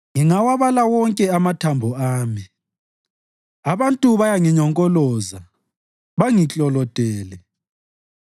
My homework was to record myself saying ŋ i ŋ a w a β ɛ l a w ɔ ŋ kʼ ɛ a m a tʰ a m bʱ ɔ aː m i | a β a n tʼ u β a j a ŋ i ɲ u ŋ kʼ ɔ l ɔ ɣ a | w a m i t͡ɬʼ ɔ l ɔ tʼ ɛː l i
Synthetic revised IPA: ŋ i ŋ a w a β a l a w ɔ ŋ kʼ ɛ a m a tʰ a m bʱ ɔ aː m i | a β a n tʼ u β a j a ŋ i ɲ ɔ ŋ kʼ ɔ l ɔ z a | β a ŋ i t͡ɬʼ ɔ l ɔ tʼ ɛː l ɛ

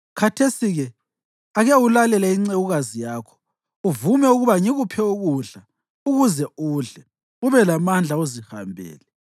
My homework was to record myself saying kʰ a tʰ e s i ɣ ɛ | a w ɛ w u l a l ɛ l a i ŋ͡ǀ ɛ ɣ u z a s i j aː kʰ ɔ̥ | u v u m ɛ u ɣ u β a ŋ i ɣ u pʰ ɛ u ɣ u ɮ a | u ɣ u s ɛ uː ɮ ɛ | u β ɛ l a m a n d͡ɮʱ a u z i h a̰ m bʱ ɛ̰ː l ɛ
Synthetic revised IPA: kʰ a tʰ e s i ɣ ɛ | a ɣ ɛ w u l a l ɛ l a i ŋ͡ǀ ɛ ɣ u ɣ a z i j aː kʰ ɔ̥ | u v u m ɛ u ɣ u β a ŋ i ɣ u pʰ ɛ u ɣ u ɮ a | u ɣ u z ɛ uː ɮ ɛ | u β ɛ l a m a n d͡ɮʱ a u z i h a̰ m bʱ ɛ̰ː l ɛ

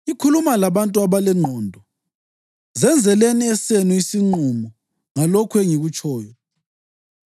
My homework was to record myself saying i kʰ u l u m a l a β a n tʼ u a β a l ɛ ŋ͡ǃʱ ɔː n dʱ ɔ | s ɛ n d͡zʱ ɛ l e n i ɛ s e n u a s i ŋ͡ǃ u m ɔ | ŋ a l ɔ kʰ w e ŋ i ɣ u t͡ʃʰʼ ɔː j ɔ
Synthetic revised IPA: i kʰ u l u m a l a β a n tʼ u a β a l ɛ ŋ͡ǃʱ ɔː n dʱ ɔ | z ɛ n d͡zʱ ɛ l e n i ɛ s e n u i s i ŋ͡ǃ u m ɔ | ŋ a l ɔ kʰ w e ŋ i ɣ u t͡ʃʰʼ ɔː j ɔ

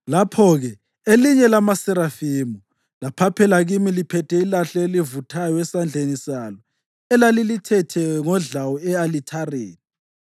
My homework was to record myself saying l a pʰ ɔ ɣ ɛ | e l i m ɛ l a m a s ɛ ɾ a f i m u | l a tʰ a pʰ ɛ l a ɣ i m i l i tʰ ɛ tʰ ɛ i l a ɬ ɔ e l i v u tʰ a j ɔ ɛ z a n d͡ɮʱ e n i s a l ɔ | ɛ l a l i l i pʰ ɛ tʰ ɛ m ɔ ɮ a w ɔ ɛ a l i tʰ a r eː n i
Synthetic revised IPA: l a pʰ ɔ ɣ ɛ | e l i ɲ ɛ l a m a s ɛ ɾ a f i m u | l a pʰ a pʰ ɛ l a ɣ i m i l i pʰ ɛ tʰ ɛ i l a ɬ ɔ e l i v u tʰ a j ɔ ɛ s a n d͡ɮʱ e n i s a l ɔ | ɛ l a l i l i tʰ ɛ tʰ ɛ ŋ ɔ ɮ a w ɔ ɛ a l i tʰ a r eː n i

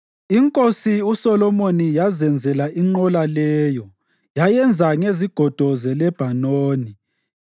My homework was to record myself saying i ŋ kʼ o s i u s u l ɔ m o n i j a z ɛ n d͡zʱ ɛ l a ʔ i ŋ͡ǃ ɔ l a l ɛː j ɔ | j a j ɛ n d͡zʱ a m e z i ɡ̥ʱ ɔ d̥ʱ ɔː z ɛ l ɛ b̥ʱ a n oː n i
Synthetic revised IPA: i ŋ kʼ o s i u s ɔ l ɔ m o n i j a z ɛ n d͡zʱ ɛ l a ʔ i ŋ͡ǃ ɔ l a l ɛː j ɔ | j a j ɛ n d͡zʱ a ŋ e z i ɡ̥ʱ ɔ d̥ʱ ɔ z ɛ l ɛ b̥ʱ a n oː n i

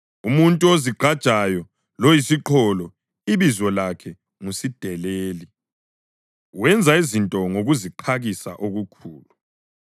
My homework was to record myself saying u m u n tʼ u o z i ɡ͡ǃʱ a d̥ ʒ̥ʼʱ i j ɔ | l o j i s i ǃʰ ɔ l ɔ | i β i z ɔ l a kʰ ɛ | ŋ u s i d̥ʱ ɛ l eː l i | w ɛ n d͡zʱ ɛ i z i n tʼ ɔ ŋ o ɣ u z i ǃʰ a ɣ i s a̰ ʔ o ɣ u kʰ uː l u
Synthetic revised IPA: u m u n tʼ u o z i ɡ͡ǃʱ a d̥ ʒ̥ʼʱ a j ɔ | l o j i s i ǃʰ ɔ l ɔ | i β i z ɔ l a kʰ ɛ | ŋ u s i d̥ʱ ɛ l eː l i | w ɛ n d͡zʱ a i z i n tʼ ɔ ŋ o ɣ u z i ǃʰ a ɣ i s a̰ ʔ o ɣ u kʰ uː l u

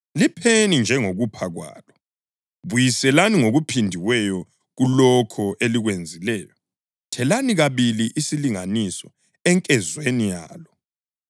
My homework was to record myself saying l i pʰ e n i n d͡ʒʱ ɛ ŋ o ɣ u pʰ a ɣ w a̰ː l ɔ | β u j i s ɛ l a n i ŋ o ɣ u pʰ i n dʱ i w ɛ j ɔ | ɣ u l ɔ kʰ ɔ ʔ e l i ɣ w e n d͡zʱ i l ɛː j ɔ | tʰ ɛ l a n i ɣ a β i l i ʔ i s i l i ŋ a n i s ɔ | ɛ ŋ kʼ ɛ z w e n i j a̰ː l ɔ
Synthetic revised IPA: l i pʰ e n i n d͡ʒʱ ɛ ŋ o ɣ u pʰ a ɣ w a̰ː l ɔ | β u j i s ɛ l a n i ŋ o ɣ u pʰ i n dʱ i w ɛ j ɔ | ɣ u l ɔ kʰ ɔ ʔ e l i ɣ w e n d͡zʱ i l ɛː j ɔ | tʰ ɛ l a n i ɣ a β i l i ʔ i s i l i ŋ a n i s ɔ | ɛ ŋ kʼ ɛ z w e n i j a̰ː l ɔ

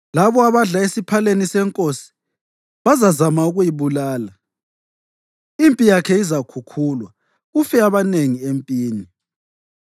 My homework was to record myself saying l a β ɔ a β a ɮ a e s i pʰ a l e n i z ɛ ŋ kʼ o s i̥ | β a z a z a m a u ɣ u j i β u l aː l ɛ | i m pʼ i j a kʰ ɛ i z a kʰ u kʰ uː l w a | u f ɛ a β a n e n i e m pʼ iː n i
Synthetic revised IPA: l a β ɔ a β a ɮ a e s i pʰ a l e n i s ɛ ŋ kʼ o s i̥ | β a z a z a m a u ɣ u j i β u l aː l a | i m pʼ i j a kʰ ɛ i z a kʰ u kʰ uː l w a | u f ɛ a β a n e ŋ i e m pʼ iː n i

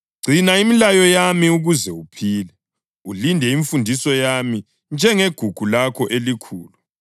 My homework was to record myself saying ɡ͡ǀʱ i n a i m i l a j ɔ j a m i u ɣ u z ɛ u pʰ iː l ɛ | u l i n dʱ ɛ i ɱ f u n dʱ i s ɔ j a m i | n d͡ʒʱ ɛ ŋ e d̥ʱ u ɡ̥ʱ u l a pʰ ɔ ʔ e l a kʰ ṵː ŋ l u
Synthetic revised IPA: ɡ͡ǀʱ i n a i m i l a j ɔ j a m i u ɣ u z ɛ u pʰ iː l ɛ | u l i n dʱ ɛ i ɱ f u n dʱ i s ɔ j a m i | n d͡ʒʱ ɛ ŋ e ɡ̥ʱ u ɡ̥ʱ u l a kʰ ɔ ʔ e l i kʰ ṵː l u

